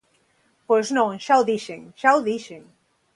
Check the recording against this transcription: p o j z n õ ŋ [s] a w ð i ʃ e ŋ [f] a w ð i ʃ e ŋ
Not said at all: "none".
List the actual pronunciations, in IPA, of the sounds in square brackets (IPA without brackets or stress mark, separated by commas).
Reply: ʃ, ʃ